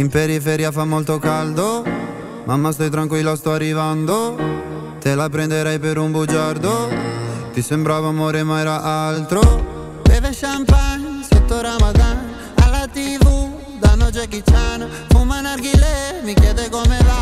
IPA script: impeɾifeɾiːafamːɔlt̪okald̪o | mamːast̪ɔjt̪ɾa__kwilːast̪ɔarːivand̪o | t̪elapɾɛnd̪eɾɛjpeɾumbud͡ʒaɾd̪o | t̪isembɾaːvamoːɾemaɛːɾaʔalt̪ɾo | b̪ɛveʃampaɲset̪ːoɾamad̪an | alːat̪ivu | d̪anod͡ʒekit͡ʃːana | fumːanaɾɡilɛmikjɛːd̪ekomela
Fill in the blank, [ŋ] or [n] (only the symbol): ŋ